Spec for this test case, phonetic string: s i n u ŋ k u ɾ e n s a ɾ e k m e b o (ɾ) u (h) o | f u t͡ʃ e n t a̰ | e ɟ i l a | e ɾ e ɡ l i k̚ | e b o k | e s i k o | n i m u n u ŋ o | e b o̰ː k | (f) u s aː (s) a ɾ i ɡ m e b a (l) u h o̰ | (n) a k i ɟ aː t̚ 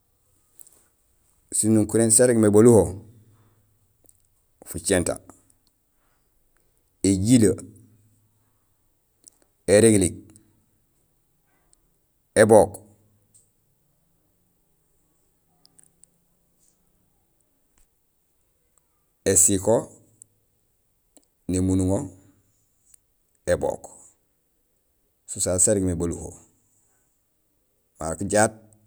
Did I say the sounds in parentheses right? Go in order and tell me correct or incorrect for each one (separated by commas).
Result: incorrect, correct, incorrect, correct, correct, incorrect